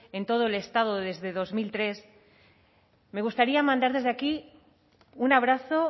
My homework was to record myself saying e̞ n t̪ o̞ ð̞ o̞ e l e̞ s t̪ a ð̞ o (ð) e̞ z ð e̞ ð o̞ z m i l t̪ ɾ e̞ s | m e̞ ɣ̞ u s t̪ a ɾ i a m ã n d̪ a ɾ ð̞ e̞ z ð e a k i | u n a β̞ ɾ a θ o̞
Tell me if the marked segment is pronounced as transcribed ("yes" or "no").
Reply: yes